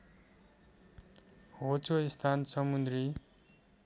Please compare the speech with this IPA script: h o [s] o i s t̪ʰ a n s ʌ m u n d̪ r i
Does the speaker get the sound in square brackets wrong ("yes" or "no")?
yes